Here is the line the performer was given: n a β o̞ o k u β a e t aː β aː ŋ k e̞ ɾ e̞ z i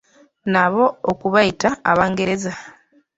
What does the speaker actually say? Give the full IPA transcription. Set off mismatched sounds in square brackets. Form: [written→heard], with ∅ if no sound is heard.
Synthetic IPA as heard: n a β o̞ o k u β a [e→i] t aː β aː ŋ [k→ɡ] e̞ ɾ e̞ z [i→a]